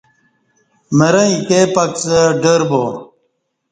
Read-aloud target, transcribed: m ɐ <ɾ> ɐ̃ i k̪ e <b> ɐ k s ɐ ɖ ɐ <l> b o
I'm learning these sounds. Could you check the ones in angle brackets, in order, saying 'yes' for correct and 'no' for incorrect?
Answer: yes, no, no

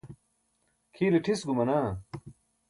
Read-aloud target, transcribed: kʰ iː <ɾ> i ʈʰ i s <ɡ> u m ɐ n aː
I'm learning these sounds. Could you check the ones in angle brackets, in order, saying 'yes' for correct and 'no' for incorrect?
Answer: no, yes

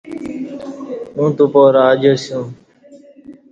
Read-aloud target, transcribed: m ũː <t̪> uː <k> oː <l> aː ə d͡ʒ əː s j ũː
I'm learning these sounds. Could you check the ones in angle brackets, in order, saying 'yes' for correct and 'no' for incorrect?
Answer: yes, no, no

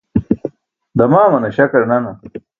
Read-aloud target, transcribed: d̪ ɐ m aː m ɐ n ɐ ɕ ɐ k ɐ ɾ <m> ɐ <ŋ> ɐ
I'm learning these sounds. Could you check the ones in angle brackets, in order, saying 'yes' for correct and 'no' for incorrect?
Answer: no, no

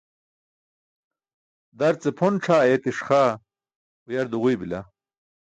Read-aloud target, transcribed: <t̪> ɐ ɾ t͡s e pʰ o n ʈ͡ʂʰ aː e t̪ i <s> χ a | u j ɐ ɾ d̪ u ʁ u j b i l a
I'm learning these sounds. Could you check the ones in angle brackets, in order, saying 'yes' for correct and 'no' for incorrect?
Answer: no, no

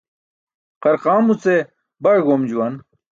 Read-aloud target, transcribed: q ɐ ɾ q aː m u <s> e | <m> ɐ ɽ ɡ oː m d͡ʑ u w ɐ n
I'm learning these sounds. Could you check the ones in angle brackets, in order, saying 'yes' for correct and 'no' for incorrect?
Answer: no, no

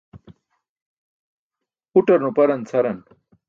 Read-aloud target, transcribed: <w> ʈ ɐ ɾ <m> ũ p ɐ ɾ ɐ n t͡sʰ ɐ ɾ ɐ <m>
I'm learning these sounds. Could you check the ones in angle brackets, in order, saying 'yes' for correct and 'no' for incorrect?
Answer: no, no, no

